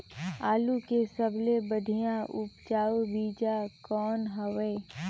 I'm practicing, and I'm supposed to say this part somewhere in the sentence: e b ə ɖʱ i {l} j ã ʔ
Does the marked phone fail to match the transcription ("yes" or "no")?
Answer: yes